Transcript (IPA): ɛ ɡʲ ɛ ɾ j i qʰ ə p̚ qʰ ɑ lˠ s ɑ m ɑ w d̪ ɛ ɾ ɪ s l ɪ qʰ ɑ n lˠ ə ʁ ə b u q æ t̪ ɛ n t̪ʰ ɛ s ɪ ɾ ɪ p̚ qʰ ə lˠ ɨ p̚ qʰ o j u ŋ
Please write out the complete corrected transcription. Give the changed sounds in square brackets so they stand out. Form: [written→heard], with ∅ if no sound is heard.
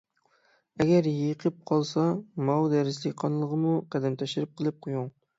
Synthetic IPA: ɛ ɡʲ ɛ ɾ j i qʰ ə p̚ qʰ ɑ lˠ s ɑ m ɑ w d̪ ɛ ɾ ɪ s l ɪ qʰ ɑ n lˠ ə ʁ ə [b→m] u q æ [t̪→d̪] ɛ n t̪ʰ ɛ [s→ʃ] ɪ ɾ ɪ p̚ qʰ ə lˠ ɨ p̚ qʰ o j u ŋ